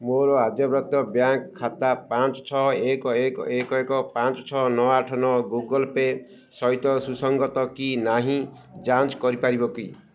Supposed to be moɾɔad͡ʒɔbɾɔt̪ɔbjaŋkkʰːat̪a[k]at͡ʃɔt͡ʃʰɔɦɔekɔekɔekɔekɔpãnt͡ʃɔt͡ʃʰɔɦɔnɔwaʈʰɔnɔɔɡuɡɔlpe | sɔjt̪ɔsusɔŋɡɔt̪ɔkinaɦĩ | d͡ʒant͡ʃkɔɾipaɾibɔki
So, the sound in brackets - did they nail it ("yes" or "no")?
no